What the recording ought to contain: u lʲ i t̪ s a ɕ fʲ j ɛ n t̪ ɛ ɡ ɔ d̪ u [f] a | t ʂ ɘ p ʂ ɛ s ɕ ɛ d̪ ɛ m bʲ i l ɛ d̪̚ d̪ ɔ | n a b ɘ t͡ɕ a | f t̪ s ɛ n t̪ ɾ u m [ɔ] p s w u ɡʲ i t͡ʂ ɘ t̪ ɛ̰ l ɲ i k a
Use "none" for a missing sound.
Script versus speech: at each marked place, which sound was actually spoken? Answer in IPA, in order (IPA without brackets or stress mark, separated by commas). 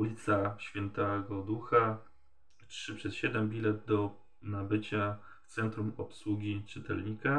x, ɔ